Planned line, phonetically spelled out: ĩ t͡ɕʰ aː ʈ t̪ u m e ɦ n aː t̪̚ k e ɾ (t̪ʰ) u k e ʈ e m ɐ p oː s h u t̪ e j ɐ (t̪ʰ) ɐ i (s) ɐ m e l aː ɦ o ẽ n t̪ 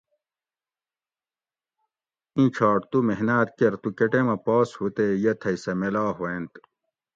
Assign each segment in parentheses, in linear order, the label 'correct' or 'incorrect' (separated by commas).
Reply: incorrect, correct, correct